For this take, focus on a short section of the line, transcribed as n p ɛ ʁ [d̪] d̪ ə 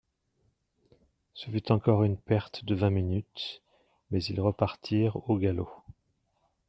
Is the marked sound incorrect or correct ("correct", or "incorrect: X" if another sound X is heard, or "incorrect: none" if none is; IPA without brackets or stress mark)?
incorrect: t̪